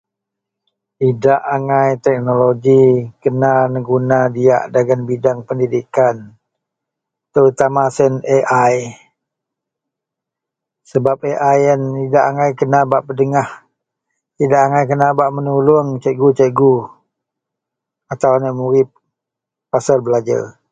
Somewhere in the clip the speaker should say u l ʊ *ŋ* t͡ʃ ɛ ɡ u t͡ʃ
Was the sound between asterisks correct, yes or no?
yes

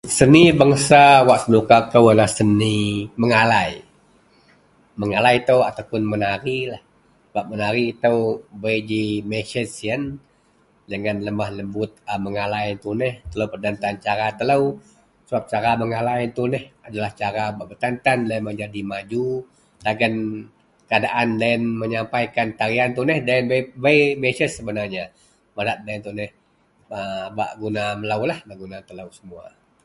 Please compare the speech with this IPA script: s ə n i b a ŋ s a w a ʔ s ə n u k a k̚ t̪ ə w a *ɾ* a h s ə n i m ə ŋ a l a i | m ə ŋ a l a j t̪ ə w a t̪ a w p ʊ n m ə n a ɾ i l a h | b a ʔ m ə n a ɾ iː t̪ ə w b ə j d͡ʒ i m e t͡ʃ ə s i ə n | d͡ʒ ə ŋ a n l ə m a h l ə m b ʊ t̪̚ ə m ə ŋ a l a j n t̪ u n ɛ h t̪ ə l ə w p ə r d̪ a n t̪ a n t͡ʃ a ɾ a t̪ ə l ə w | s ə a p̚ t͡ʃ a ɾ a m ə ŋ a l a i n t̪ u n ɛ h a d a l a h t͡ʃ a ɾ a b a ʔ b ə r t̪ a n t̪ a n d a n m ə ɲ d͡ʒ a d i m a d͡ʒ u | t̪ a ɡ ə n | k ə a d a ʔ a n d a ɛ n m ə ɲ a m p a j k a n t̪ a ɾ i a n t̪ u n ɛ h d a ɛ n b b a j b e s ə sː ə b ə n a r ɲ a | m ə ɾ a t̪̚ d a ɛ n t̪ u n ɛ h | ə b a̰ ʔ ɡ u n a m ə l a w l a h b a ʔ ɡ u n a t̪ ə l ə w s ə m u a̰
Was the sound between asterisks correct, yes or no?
no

